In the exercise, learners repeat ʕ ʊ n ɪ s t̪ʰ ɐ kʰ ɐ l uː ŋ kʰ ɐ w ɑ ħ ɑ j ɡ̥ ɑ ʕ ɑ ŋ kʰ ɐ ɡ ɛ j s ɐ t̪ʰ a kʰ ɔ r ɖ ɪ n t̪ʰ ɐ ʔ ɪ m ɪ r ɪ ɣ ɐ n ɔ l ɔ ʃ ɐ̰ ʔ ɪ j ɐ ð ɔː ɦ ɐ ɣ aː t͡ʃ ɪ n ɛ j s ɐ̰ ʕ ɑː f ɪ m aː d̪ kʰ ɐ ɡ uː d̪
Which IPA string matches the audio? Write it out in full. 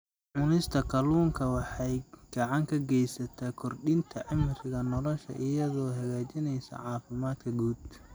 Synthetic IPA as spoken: ʕ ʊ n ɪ s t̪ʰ ɐ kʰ ɐ l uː ŋ kʰ ɐ w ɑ ħ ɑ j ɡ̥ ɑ ʕ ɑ ŋ kʰ ɐ ɡ ɛ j s ɐ t̪ʰ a kʰ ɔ r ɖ ɪ n t̪ʰ ɐ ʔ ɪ m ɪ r ɪ ɣ ɐ n ɔ l ɔ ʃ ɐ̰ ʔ ɪ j ɐ ð ɔː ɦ ɐ ɣ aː t͡ʃ ɪ n ɛ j s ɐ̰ ʕ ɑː f ɪ m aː d̪ kʰ ɐ ɡ uː d̪